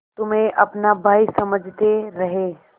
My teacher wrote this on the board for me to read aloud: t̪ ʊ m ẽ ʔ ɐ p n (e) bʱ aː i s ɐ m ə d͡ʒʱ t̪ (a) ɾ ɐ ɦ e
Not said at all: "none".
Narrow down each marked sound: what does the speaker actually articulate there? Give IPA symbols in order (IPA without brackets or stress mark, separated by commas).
a, e